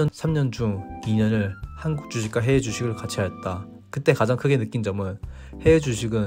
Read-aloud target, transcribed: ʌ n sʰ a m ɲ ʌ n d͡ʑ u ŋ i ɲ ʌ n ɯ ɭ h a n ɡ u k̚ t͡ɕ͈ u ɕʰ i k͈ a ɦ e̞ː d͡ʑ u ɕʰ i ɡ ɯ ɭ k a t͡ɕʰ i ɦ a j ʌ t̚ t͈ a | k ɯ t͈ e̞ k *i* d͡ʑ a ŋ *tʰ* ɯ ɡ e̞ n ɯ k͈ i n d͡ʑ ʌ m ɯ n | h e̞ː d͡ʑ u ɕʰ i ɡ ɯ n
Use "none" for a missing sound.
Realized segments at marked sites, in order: a, kʰ

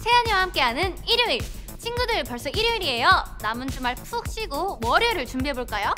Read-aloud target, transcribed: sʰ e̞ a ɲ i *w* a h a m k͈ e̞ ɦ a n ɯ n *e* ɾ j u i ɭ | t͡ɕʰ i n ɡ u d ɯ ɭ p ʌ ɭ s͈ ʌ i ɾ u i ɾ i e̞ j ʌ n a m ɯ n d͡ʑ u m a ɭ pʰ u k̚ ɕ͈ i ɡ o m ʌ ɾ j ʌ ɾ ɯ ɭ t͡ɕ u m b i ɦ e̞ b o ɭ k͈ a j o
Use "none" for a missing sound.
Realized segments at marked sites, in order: w, i

